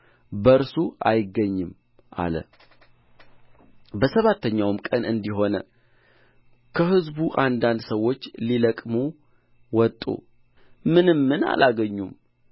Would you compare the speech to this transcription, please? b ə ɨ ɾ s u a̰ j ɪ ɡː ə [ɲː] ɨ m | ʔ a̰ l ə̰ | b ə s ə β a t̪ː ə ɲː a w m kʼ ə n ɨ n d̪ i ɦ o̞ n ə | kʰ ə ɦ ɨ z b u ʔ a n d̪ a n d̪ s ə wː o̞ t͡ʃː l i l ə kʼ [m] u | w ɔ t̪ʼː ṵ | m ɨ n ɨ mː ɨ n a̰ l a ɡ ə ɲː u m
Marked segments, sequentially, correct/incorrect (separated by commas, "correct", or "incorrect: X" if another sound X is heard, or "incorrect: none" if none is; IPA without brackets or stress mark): correct, correct